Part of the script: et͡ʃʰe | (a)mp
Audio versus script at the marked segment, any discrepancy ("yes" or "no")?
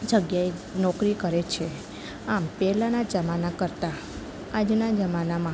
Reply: no